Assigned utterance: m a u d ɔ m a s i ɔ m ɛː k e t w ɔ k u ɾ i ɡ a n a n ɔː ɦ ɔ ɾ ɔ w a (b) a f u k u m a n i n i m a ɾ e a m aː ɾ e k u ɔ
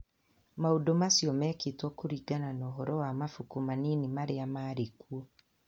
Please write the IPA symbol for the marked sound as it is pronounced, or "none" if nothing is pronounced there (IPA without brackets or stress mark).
m